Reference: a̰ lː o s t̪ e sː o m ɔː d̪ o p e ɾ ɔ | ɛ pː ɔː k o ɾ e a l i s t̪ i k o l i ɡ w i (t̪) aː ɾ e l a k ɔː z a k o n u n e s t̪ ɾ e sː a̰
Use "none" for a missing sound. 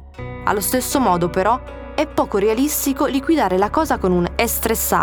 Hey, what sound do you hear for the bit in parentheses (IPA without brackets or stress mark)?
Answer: d̪